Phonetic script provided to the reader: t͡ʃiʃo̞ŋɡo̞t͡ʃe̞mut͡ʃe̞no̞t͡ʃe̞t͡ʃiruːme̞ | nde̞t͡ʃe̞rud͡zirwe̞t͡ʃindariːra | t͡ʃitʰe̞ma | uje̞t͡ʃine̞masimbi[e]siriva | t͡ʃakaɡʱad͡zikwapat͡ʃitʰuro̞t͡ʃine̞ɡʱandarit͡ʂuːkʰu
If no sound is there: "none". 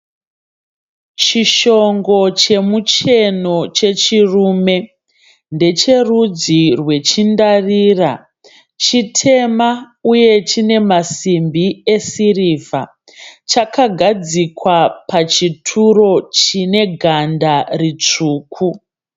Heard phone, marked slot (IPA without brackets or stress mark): e